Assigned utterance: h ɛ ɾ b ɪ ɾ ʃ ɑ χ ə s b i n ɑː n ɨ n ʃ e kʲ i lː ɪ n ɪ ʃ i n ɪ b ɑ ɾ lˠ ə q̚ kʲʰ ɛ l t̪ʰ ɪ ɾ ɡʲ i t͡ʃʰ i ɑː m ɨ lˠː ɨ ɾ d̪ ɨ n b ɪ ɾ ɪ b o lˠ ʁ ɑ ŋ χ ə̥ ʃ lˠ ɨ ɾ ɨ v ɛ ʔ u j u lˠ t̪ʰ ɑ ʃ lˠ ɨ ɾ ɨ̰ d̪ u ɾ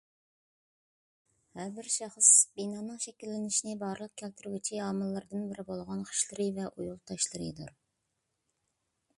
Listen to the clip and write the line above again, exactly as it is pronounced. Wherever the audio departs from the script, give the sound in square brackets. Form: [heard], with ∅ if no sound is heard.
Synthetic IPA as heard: h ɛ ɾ b ɪ ɾ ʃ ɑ χ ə s b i n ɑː n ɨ [ŋ] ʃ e kʲ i lː ɪ n ɪ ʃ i n ɪ b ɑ ɾ lˠ ə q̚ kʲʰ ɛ l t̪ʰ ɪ ɾ ɡʲ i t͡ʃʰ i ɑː m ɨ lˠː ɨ ɾ d̪ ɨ n b ɪ ɾ ɪ b o lˠ ʁ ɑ [n] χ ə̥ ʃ lˠ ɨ ɾ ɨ v ɛ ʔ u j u lˠ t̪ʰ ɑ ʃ lˠ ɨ ɾ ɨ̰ d̪ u ɾ